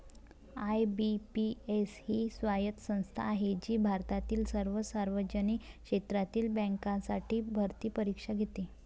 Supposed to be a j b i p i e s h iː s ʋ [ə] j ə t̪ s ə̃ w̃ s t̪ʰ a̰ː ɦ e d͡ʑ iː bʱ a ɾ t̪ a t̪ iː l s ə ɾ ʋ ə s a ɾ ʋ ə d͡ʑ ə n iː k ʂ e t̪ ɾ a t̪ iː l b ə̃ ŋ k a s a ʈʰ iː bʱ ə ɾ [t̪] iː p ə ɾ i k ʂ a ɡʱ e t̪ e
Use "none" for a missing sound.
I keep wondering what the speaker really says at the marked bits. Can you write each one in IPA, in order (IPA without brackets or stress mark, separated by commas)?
a, t̪